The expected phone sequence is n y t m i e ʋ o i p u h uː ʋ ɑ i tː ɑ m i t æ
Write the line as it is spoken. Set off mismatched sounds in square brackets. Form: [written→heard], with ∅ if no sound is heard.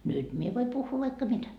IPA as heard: n y t m i e ʋ o i p u [h→hː] uː ʋ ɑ i [tː→kː] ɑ m i t æ